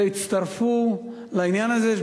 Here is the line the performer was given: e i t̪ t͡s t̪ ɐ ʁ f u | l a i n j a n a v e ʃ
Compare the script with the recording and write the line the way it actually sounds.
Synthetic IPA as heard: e i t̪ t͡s t̪ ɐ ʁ f u | l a i n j a n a z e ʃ